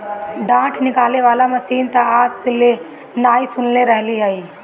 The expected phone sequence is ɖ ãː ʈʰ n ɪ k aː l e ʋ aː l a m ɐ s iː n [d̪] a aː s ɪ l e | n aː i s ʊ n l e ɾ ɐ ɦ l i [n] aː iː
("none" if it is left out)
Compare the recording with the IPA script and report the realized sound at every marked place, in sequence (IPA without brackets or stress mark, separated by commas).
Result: t̪, none